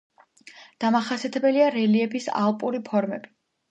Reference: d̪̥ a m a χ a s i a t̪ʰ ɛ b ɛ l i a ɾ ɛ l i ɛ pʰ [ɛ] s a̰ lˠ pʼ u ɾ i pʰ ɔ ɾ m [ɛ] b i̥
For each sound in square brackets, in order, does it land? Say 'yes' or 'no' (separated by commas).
no, yes